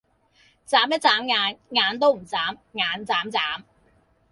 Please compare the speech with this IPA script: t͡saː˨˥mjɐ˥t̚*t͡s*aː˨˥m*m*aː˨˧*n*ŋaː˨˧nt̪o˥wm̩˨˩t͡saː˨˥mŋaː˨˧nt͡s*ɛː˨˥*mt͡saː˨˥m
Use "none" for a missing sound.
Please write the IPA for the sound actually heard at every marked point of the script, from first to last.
t͡s, ŋ, n, aː˨˥

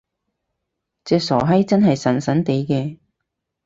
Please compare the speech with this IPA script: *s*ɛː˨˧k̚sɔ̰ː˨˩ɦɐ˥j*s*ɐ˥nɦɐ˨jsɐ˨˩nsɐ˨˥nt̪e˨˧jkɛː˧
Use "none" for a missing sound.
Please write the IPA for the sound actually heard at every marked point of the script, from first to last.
t͡s, t͡s

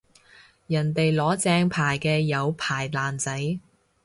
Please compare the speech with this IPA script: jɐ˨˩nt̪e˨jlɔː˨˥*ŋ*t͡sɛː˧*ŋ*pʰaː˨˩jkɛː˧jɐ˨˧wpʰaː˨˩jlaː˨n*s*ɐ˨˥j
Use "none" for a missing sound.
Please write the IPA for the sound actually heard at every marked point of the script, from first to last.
none, ŋ, t͡s

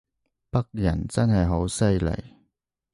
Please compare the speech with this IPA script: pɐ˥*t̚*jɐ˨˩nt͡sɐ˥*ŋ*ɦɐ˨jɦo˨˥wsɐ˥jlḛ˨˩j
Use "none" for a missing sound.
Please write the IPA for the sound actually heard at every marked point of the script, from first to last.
k̚, n

